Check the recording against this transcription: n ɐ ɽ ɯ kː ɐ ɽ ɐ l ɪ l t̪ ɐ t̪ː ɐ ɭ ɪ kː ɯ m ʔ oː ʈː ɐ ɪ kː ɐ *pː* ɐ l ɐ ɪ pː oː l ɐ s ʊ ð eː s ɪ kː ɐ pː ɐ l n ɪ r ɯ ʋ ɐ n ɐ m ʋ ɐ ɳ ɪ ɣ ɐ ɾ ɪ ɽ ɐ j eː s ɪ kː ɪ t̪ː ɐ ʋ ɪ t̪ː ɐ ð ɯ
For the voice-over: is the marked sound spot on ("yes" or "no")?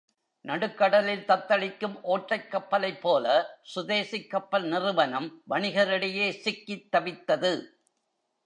yes